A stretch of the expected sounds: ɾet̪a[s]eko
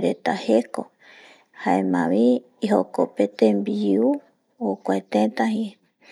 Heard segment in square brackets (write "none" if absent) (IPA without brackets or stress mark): h